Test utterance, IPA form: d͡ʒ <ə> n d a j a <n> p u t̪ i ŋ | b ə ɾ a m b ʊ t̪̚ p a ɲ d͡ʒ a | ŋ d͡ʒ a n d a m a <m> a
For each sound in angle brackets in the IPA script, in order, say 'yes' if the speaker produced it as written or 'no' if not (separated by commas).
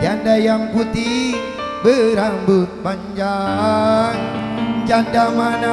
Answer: no, no, no